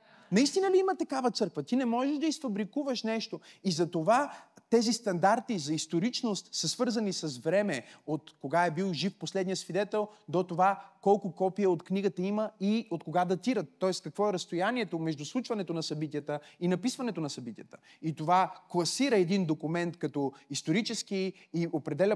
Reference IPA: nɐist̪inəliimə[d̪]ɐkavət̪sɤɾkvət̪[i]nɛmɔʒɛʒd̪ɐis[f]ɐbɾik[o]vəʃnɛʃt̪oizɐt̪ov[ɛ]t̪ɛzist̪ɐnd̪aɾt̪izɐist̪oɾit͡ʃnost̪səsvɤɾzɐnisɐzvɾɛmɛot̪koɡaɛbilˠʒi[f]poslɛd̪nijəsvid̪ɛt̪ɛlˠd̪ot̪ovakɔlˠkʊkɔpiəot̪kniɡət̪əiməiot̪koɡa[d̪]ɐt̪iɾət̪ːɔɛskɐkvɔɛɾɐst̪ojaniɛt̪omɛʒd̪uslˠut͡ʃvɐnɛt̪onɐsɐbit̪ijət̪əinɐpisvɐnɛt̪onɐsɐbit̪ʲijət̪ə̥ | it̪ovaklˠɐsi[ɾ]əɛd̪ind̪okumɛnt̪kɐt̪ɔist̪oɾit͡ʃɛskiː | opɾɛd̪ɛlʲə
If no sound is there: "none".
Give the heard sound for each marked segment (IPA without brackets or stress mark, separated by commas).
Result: t̪, i, f, u, a, f, d̪, ɾ